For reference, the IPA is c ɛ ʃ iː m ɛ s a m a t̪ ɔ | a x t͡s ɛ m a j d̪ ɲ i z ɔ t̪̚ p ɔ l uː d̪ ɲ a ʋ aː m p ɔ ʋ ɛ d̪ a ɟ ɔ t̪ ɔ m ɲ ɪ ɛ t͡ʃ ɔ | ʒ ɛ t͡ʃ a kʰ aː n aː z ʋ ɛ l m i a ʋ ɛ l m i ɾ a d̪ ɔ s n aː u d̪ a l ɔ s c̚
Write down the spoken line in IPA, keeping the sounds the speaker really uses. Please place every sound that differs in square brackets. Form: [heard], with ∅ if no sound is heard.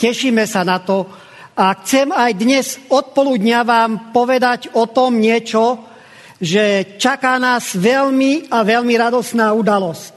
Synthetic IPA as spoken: c ɛ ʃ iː m ɛ s a [n] a t̪ ɔ | a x t͡s ɛ m a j d̪ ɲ [ɛ] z ɔ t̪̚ p ɔ l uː d̪ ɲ a ʋ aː m p ɔ ʋ ɛ d̪ a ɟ ɔ t̪ ɔ m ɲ ɪ ɛ t͡ʃ ɔ | ʒ ɛ t͡ʃ a [k] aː n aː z ʋ ɛ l m i a ʋ ɛ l m i ɾ a d̪ ɔ s n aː u d̪ a l ɔ s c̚